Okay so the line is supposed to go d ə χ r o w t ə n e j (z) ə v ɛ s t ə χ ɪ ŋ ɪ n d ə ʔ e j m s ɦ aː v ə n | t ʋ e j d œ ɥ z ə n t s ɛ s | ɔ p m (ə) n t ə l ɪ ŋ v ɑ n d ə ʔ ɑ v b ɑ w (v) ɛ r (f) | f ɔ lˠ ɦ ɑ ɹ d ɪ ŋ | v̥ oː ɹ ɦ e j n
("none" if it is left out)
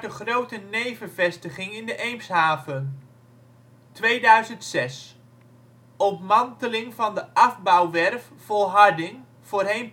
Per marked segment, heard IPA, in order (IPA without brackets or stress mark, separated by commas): v, ɑ, ʋ, f